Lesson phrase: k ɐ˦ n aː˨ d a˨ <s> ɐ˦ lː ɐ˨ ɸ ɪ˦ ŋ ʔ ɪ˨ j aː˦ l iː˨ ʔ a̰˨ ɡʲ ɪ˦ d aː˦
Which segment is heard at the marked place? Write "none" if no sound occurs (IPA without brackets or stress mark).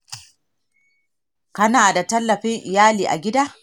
t